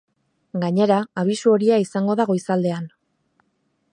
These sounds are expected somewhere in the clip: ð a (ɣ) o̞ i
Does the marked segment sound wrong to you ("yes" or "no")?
no